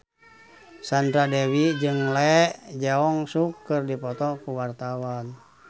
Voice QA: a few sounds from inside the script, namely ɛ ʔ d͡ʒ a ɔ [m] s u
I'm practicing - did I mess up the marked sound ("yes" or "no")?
yes